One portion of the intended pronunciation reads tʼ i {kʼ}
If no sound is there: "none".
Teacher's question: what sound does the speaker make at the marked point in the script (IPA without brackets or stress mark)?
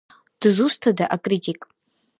kʼ